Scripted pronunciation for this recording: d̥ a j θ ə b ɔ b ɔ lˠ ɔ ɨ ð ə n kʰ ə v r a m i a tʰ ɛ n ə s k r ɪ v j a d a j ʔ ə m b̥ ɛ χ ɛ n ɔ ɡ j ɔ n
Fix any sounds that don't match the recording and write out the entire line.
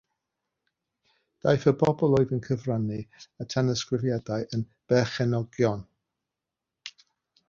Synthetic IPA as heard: d̥ a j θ ə b ɔ b ɔ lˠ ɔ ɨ ð ə n kʰ ə v r a n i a tʰ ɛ n ə s k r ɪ v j a d a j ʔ ə n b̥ ɛ χ ɛ n ɔ ɡ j ɔ n